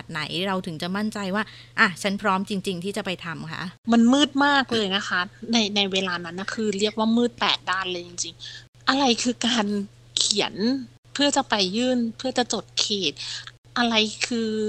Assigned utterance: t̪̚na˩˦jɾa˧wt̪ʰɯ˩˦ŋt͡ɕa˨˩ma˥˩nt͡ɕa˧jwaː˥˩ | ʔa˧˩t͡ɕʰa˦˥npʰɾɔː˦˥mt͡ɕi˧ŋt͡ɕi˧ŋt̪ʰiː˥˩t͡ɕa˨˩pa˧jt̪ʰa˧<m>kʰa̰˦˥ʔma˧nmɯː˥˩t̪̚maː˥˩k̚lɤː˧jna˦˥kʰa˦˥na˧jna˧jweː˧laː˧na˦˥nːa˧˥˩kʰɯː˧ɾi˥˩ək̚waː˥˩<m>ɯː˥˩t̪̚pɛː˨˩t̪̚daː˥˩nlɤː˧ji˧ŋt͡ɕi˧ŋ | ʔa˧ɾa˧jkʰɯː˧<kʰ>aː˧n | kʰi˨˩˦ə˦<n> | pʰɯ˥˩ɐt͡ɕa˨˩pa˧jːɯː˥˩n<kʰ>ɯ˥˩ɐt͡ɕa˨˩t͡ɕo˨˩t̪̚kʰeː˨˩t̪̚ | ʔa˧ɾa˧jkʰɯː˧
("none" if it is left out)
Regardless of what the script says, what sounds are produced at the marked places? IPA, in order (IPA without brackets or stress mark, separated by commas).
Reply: m, m, k, n, pʰ